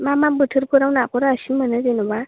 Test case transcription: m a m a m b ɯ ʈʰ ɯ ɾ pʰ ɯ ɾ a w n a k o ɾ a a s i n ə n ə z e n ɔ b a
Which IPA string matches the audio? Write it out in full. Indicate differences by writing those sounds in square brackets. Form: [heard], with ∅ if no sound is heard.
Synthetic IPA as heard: m a m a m b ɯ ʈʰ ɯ ɾ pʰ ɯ ɾ a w n a k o ɾ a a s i [m] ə n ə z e n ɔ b a